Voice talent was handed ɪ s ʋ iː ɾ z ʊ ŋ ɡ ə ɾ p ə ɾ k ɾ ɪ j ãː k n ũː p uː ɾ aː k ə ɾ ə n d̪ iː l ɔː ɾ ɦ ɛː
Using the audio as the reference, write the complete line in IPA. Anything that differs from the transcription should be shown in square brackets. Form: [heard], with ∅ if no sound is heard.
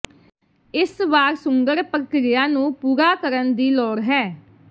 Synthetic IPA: ɪ s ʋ [aː] ɾ [s] ʊ ŋ ɡ ə ɾ p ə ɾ k ɾ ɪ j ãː [∅] n ũː p uː ɾ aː k ə ɾ ə n d̪ iː l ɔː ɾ ɦ ɛː